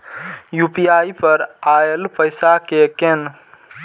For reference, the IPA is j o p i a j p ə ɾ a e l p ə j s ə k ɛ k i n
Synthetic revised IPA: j u p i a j p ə ɾ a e l p ə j s a k e k e n